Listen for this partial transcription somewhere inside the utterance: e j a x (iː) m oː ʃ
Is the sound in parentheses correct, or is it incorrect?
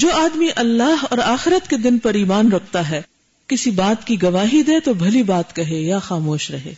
incorrect